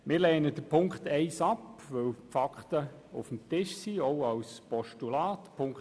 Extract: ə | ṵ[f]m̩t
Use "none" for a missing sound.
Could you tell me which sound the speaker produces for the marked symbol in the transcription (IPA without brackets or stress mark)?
f